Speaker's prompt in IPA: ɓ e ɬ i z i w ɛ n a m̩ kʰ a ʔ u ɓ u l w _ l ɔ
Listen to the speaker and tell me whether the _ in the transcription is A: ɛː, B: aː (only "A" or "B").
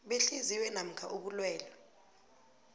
A